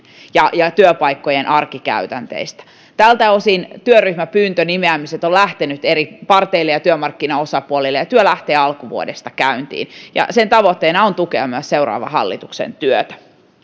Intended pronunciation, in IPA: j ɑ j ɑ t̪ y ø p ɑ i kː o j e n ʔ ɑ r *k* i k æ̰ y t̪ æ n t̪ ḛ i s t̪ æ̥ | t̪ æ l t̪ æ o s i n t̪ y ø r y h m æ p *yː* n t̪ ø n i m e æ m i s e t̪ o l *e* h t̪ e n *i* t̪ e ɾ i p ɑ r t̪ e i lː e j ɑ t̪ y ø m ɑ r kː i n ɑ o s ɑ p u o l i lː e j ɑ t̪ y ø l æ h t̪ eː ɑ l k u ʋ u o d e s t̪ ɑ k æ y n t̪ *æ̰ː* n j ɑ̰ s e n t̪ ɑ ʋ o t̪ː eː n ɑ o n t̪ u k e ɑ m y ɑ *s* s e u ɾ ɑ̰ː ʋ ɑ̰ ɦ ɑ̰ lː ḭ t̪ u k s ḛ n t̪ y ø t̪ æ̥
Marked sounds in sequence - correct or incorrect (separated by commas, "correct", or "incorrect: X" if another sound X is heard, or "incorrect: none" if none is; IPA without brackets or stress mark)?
correct, correct, incorrect: æ, incorrect: y, incorrect: ḭː, correct